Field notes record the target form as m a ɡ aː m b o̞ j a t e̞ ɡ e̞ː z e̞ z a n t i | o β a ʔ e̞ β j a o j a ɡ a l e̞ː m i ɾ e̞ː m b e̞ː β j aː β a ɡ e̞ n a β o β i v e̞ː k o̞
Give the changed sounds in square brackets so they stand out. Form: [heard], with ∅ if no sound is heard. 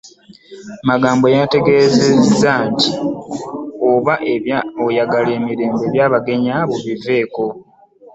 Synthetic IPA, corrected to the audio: m a ɡ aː m b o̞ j a t e̞ ɡ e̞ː z e̞ z a n t i | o β a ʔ e̞ β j a o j a ɡ a l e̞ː m i ɾ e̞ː m b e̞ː β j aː β a ɡ e̞ [ɲ] a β o β i v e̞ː k o̞